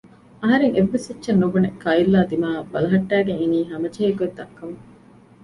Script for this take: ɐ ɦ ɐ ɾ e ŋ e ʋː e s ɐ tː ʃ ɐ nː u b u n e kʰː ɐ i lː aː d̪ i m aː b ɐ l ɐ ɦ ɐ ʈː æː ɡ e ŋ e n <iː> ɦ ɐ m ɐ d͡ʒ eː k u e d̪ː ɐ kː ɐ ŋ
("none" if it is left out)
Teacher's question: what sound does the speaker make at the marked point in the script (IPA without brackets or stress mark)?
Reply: iː